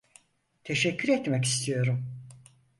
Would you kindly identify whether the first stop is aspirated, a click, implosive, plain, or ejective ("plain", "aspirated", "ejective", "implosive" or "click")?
aspirated